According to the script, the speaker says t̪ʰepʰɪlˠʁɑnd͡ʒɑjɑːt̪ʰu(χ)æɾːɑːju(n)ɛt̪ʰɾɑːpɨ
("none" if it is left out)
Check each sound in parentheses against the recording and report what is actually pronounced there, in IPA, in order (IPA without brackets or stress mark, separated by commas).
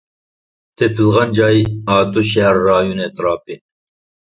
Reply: ʃ, n